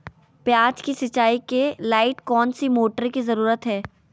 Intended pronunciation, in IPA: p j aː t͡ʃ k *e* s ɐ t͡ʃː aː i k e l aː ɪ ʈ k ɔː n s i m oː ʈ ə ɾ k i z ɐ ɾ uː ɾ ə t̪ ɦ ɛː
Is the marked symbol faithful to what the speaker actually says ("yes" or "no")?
no